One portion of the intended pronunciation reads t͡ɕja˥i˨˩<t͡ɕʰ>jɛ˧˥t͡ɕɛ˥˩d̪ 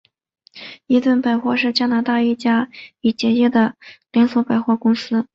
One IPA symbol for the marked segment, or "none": t͡ɕ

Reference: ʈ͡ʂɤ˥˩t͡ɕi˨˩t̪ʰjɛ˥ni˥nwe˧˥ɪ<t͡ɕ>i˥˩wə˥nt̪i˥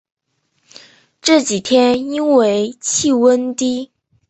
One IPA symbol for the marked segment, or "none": t͡ɕʰ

